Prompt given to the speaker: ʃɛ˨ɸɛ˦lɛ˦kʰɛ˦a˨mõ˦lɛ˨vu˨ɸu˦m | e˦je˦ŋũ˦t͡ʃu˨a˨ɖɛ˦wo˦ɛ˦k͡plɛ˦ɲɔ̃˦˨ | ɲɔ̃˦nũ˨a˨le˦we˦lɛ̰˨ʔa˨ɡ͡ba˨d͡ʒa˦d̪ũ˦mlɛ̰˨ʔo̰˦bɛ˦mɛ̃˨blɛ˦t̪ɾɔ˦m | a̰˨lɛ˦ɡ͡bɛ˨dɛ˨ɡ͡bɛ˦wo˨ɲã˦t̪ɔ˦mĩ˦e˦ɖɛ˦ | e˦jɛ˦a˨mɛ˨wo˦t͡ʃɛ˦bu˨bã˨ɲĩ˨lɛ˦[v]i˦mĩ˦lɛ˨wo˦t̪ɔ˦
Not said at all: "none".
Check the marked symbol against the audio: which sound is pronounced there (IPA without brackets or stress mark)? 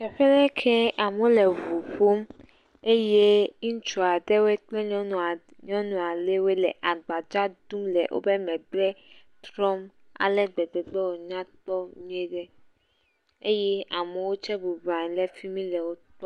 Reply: f